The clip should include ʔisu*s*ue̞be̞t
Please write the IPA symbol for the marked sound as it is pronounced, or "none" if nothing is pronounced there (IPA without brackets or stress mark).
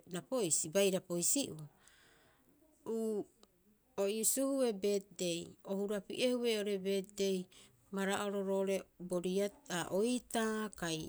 h